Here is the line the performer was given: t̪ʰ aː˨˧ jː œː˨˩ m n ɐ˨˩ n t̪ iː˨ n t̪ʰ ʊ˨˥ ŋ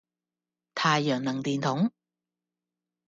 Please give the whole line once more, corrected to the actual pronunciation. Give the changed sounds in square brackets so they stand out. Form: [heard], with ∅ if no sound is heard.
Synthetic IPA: t̪ʰ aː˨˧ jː œː˨˩ [ŋ] n ɐ˨˩ [ŋ] t̪ iː˨ n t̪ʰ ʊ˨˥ ŋ